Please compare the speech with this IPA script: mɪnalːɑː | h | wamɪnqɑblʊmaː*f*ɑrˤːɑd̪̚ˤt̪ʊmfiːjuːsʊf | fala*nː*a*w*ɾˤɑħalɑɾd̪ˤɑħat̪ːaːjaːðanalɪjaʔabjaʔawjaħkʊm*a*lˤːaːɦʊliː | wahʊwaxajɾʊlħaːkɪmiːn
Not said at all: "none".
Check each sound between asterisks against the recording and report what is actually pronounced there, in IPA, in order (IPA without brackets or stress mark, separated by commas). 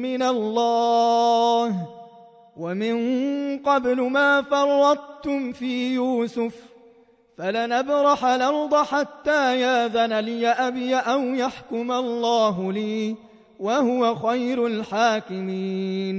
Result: f, n, b, a